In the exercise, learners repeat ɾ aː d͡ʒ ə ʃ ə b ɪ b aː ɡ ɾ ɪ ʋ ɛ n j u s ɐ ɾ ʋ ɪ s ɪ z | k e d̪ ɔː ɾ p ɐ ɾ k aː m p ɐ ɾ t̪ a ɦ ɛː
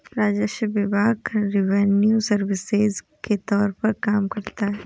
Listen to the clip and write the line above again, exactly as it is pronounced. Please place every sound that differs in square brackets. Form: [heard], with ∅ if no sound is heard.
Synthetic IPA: ɾ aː d͡ʒ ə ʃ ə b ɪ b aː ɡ ɾ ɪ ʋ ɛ n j u s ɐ ɾ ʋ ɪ s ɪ z | k e [t̪] ɔː ɾ p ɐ ɾ k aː m [k] ɐ ɾ t̪ a ɦ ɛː